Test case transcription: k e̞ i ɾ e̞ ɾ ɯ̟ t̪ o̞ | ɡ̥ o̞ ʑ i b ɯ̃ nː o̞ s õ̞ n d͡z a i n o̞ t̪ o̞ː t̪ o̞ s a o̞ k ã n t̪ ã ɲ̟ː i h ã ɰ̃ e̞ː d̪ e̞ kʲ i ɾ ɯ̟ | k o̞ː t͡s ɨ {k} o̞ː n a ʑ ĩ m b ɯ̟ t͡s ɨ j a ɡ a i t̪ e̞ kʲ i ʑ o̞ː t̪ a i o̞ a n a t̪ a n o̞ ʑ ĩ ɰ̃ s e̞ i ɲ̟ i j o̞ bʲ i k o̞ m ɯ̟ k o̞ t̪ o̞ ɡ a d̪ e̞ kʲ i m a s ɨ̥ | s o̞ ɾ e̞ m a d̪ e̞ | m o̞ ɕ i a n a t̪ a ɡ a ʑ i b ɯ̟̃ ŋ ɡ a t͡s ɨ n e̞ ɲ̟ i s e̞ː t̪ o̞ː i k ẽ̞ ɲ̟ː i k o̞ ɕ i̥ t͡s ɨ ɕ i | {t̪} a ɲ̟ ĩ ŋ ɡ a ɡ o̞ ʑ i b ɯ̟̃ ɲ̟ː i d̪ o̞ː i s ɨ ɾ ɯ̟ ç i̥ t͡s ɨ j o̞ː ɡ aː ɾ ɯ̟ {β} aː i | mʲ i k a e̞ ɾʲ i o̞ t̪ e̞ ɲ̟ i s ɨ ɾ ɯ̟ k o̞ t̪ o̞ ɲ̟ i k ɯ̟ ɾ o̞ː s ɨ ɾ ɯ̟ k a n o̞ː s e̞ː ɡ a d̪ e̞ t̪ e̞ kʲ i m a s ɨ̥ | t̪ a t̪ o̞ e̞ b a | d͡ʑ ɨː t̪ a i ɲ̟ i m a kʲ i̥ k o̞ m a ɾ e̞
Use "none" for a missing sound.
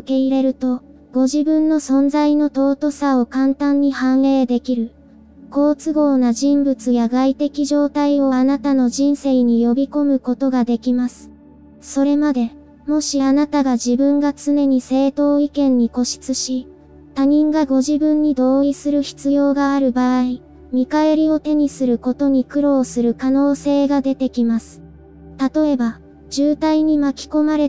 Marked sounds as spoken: ɡ, t̪, b

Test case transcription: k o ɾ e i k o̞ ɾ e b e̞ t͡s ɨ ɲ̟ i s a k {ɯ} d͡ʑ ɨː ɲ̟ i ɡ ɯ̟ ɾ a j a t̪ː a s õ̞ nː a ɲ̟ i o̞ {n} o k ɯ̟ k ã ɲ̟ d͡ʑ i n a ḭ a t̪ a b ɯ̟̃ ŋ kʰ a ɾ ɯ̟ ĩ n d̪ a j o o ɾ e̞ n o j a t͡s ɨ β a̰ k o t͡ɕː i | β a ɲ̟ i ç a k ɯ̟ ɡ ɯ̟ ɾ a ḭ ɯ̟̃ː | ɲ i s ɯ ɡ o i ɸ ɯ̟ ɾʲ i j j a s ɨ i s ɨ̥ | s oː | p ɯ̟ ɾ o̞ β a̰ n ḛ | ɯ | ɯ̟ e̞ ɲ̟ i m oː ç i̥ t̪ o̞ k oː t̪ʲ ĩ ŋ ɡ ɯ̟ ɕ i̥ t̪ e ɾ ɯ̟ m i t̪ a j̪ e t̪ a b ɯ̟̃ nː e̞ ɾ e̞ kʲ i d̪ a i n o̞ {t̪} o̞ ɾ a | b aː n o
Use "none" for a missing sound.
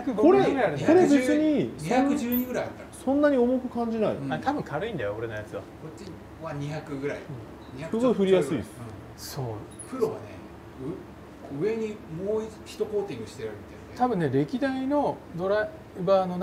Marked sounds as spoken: ɯ, m, d̪

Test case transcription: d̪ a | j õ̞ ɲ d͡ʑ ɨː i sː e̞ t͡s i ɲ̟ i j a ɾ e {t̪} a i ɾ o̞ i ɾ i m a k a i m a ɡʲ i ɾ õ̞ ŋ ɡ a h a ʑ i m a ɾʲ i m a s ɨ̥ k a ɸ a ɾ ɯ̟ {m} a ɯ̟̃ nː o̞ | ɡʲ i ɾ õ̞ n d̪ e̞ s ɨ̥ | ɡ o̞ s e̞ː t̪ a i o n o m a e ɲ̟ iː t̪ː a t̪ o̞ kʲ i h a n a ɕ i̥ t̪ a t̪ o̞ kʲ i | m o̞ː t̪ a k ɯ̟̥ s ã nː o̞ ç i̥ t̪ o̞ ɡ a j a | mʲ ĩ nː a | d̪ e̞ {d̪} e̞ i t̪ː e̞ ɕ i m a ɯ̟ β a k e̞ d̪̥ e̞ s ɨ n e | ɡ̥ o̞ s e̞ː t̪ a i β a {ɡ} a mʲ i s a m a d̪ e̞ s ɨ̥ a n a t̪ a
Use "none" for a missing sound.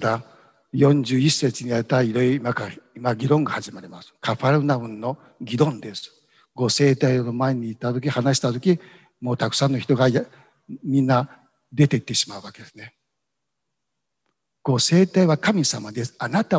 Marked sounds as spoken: t̪, n, t̪, k

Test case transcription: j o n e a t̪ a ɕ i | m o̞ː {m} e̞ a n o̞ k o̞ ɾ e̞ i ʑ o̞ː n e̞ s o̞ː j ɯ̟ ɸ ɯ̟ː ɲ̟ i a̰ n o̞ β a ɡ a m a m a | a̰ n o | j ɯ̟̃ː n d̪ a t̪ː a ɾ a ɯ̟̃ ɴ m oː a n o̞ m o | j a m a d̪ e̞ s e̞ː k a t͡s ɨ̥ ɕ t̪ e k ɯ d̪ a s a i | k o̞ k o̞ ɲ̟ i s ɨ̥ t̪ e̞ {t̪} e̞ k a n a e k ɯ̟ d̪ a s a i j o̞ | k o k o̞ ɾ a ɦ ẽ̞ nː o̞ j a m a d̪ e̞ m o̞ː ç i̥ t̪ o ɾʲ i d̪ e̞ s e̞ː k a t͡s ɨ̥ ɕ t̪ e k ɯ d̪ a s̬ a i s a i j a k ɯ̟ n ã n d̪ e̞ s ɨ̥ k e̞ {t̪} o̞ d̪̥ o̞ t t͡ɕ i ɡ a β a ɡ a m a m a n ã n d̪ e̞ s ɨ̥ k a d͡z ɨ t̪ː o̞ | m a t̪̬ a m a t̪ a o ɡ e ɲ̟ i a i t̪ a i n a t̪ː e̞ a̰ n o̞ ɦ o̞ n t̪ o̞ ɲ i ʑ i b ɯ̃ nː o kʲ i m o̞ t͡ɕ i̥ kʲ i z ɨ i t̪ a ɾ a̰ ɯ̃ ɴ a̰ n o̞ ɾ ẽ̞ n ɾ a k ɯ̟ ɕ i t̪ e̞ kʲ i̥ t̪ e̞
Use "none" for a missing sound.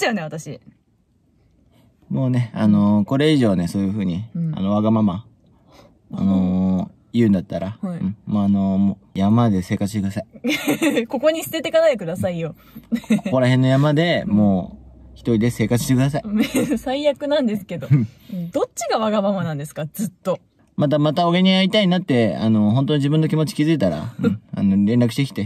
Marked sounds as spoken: n, t̪, d̪

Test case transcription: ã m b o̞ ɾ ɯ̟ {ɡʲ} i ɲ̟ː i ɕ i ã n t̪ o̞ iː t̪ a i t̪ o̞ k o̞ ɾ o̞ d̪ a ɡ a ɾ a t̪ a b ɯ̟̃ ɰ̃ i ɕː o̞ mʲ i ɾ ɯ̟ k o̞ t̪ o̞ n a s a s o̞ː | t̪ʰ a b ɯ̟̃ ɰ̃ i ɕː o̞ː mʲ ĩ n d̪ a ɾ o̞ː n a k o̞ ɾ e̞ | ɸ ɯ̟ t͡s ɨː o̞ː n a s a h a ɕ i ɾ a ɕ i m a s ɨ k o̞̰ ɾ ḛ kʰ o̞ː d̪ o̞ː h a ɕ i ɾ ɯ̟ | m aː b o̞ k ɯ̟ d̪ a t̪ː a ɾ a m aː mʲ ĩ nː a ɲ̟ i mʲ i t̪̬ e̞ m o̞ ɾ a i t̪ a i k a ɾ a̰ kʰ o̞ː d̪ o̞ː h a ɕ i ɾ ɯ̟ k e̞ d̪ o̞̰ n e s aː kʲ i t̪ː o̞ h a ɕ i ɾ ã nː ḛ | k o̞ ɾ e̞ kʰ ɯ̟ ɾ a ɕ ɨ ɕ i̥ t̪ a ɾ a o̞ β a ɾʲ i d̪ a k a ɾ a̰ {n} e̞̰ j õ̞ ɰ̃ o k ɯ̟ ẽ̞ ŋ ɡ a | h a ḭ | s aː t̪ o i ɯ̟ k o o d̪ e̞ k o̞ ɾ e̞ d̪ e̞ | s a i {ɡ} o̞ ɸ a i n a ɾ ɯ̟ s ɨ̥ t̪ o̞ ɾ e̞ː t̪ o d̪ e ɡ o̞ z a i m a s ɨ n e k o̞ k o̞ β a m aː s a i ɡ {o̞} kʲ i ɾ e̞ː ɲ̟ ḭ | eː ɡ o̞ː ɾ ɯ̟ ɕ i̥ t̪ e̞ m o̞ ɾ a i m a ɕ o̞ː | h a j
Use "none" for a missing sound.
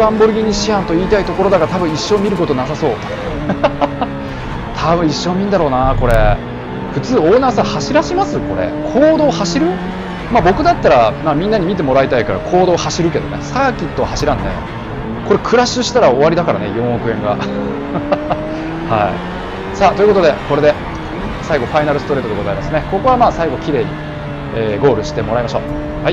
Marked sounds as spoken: ɡʲ, n, ɡ, o̞

